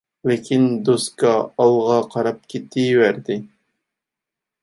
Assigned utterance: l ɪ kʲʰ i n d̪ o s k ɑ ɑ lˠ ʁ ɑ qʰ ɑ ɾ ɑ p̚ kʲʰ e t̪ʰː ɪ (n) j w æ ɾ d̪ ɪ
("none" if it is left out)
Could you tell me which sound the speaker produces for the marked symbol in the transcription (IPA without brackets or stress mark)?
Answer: none